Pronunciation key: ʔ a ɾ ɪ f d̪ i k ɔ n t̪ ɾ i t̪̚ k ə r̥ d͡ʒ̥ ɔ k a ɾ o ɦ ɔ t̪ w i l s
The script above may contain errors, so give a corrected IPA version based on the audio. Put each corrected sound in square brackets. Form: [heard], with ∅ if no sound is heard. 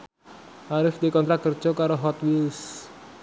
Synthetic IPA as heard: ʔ a ɾ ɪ f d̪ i k ɔ n t̪ ɾ [a] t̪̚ k ə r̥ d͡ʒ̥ ɔ k a ɾ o ɦ ɔ t̪ w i l s